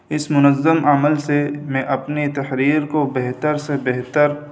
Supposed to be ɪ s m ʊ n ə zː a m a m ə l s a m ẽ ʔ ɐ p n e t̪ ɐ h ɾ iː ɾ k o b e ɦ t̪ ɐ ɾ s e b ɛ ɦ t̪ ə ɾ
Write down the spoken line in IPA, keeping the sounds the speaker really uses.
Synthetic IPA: ɪ s m ʊ n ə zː ə m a m ə l s e m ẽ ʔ ɐ p n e t̪ ɐ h ɾ iː ɾ k o b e ɦ t̪ ə ɾ s e b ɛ ɦ t̪ ə ɾ